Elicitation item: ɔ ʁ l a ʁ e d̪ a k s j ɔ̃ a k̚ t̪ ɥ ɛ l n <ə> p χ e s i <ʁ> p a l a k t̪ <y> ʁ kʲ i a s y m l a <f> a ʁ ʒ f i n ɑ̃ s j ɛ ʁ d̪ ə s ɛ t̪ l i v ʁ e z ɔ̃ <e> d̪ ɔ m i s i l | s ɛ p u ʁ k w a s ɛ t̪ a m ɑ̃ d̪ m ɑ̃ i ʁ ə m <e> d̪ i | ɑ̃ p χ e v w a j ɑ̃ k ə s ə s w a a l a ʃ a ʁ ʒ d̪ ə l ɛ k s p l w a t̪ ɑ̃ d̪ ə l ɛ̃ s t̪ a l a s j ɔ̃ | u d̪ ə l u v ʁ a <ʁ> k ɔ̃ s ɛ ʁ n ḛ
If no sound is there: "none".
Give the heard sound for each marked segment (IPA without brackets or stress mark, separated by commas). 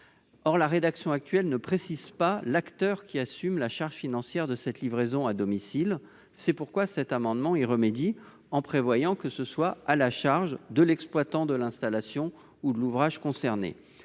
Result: ə, z, œ, ʃ, a, e, ʒ